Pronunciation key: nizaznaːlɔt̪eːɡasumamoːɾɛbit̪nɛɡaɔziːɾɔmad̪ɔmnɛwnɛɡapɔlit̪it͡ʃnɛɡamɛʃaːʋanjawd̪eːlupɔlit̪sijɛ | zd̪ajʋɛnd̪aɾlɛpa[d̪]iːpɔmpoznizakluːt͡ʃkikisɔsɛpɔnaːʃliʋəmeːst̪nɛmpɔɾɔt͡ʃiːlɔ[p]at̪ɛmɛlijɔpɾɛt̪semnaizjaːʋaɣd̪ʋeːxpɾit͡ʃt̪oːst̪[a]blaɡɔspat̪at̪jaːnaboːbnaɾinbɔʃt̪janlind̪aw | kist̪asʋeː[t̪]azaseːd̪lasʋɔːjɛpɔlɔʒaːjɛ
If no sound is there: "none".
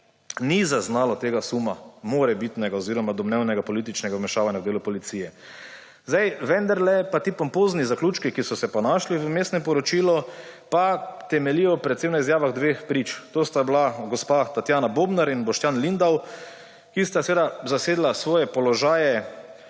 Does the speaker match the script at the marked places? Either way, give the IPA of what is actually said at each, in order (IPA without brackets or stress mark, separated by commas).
t̪, p, a, d̪